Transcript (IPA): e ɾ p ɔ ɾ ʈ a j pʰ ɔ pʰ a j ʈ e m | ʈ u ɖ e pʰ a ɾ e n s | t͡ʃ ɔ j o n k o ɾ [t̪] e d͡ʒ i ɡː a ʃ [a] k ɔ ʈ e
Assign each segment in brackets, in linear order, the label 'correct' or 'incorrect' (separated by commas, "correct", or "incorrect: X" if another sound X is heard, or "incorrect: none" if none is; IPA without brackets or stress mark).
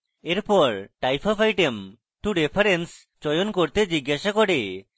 correct, correct